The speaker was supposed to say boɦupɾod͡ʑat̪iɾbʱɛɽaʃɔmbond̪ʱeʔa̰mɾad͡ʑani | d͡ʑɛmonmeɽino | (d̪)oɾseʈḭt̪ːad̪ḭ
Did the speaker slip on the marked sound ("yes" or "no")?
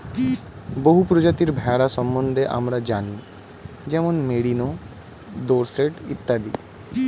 no